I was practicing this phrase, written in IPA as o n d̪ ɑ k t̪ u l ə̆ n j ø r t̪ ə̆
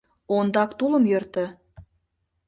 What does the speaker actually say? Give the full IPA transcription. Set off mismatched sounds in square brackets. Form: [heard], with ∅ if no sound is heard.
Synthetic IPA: o n d̪ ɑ k t̪ u l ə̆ [m] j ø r t̪ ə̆